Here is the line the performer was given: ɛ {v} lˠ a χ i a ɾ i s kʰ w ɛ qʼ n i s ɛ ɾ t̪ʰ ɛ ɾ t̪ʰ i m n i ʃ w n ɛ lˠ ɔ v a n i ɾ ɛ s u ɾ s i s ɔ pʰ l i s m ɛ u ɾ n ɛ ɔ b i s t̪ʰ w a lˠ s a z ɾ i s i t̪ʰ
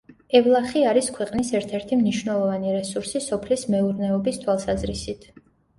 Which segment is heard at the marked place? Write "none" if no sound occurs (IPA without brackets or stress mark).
v